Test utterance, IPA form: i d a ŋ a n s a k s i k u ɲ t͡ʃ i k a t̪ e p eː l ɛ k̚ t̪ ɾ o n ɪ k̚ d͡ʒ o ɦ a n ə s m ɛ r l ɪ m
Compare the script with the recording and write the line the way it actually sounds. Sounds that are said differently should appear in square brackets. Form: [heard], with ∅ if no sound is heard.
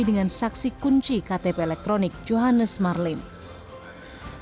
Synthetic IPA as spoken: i d [ə] ŋ a n s a k s i k u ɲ t͡ʃ i k a t̪ e p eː l ɛ k̚ t̪ ɾ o n ɪ k̚ d͡ʒ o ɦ a n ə s m [a] r l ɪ m